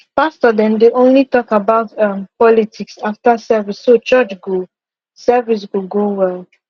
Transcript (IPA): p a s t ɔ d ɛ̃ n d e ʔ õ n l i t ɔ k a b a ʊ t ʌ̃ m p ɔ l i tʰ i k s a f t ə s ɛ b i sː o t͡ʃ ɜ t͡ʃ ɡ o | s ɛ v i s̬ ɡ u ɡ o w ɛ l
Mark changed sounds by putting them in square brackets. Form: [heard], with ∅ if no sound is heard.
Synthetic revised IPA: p a s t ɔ d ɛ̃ n d e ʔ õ n l i t ɔ k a b a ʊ t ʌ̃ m p ɔ l i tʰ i k s a f t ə s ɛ [v] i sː o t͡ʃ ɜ t͡ʃ ɡ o | s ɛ v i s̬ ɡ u ɡ o w ɛ l